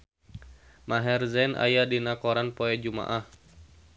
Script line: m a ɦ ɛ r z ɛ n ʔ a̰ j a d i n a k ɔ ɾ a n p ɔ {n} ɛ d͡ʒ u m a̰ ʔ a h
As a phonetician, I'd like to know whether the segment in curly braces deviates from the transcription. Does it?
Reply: yes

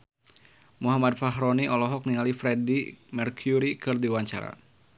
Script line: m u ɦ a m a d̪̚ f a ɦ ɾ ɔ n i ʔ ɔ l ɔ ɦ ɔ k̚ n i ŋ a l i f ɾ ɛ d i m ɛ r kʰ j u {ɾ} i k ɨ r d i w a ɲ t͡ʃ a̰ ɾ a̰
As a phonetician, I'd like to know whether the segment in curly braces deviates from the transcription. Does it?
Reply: no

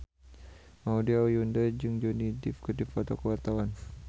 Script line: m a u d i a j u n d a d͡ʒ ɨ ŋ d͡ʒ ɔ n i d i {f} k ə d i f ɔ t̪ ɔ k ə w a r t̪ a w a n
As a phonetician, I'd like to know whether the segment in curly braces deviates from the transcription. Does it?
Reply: no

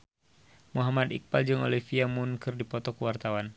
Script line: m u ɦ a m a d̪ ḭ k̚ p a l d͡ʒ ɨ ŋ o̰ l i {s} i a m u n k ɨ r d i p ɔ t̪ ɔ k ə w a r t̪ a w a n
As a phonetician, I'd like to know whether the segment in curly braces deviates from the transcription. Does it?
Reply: yes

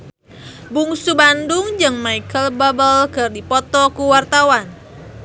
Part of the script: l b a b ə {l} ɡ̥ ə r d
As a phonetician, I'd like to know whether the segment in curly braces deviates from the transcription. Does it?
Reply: no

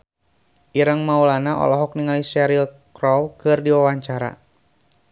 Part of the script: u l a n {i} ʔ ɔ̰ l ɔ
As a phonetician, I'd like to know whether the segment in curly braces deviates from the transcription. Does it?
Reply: yes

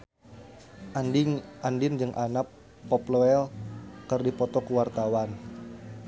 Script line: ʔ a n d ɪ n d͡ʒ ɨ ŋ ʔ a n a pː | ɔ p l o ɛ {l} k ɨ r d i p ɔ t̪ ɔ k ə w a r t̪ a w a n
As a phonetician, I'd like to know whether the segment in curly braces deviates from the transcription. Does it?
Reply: no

